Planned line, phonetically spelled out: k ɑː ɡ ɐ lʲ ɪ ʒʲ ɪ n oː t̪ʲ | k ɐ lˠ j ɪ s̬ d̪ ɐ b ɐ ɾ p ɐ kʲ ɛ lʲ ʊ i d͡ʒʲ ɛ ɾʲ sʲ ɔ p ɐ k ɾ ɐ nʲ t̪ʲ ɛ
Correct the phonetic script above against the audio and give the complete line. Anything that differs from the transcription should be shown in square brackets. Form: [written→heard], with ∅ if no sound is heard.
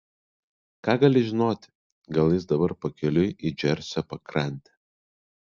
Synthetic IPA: k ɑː ɡ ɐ lʲ ɪ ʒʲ ɪ n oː t̪ʲ | [k→ɡ] ɐ lˠ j ɪ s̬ d̪ ɐ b ɐ ɾ p ɐ kʲ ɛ lʲ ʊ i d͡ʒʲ ɛ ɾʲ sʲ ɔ p ɐ k ɾ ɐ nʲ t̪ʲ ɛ